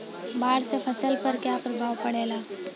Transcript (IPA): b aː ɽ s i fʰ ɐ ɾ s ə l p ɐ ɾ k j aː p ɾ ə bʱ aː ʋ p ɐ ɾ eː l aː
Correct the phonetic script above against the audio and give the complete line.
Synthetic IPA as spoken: b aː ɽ s e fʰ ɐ s ə l p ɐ ɾ k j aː p ɾ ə bʱ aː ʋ p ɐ ɽ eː l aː